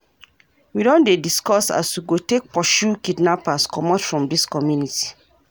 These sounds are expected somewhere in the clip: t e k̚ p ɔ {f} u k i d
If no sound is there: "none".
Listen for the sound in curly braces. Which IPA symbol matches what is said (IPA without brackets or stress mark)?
ʃ